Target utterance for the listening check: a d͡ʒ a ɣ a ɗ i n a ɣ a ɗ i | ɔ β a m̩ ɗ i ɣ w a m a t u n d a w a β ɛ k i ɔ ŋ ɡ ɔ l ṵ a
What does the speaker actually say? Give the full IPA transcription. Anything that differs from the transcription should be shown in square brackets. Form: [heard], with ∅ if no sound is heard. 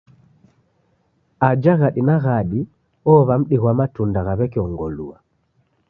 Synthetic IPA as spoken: a d͡ʒ a ɣ a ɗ i n a ɣ a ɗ i | ɔ β a m̩ ɗ i ɣ w a m a t u n d a [ɣ] a β ɛ k i ɔ ŋ ɡ ɔ l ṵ a

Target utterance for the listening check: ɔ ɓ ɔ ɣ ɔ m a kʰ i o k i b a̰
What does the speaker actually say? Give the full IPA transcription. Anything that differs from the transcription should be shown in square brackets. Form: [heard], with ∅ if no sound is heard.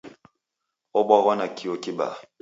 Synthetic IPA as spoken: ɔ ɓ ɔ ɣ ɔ [n] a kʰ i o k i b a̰

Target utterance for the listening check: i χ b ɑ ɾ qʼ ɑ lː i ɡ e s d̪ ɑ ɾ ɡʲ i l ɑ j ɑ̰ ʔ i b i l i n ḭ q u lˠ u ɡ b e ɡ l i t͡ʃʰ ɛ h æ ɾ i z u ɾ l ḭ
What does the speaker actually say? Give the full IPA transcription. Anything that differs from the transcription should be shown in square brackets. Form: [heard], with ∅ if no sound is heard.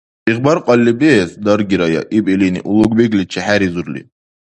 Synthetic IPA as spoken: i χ b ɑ ɾ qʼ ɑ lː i [b] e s d̪ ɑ ɾ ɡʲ i [ɾ] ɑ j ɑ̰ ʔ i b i l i n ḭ [ʔ] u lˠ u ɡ b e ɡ l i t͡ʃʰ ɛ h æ ɾ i z u ɾ l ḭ

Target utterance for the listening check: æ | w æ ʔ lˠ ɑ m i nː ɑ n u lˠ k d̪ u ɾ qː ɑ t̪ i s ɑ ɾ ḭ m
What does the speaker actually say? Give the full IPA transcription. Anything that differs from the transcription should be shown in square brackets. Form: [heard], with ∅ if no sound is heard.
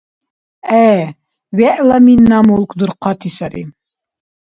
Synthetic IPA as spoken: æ | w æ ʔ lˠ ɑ m i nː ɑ [m] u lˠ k d̪ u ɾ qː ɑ t̪ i s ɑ ɾ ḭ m

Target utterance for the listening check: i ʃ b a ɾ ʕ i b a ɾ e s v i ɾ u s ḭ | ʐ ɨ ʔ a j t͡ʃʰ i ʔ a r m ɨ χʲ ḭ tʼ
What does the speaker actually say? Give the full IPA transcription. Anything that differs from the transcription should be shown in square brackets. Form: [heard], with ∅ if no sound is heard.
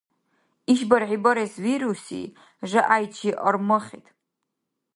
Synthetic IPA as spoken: i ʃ b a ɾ ʕ i b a ɾ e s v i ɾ u s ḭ | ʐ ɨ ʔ a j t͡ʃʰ i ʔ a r m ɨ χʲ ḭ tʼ

